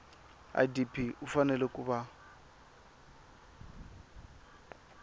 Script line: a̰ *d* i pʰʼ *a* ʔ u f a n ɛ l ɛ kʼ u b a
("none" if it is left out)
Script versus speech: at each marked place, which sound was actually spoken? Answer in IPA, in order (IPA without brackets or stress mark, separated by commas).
d, i